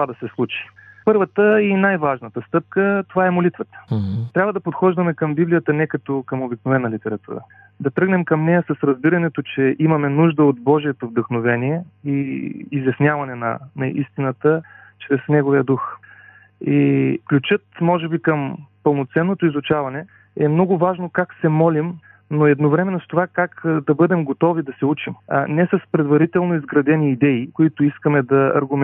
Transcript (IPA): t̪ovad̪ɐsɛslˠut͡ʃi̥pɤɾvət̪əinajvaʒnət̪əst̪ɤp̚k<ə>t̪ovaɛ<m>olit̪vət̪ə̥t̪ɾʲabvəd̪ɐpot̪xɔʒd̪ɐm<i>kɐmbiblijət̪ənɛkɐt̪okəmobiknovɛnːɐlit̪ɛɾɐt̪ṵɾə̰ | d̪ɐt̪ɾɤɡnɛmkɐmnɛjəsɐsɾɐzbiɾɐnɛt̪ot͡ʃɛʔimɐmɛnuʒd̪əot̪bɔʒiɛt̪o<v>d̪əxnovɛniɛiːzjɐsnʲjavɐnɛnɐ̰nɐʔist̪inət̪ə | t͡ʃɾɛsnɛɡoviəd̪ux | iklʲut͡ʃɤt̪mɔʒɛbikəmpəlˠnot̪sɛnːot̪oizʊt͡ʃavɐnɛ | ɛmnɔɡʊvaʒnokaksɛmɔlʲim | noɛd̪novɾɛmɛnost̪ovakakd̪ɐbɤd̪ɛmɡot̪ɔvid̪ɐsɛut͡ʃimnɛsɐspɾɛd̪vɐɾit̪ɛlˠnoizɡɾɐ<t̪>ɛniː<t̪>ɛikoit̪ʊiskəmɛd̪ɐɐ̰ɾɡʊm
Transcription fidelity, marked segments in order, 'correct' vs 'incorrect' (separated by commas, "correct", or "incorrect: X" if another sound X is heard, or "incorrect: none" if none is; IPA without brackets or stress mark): correct, correct, incorrect: ɛ, correct, incorrect: d̪, incorrect: d̪